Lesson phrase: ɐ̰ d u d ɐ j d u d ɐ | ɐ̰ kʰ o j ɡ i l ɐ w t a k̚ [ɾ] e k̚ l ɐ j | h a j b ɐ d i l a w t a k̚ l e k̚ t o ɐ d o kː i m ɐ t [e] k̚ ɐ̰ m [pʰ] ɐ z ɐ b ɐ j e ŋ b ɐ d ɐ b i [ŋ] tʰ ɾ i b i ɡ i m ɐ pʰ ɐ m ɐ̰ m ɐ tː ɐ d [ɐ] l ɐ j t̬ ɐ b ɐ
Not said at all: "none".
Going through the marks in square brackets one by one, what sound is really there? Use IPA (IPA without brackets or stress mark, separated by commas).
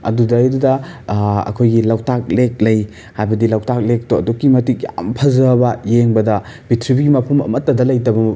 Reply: l, i, pʰ, none, ɐ